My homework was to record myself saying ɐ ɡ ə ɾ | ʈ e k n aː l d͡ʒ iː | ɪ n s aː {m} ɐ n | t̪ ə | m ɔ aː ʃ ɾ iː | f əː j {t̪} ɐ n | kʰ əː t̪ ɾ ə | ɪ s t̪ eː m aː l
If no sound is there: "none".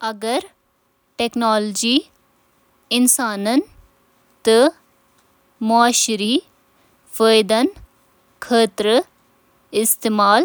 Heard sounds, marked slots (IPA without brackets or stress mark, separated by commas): n, d̪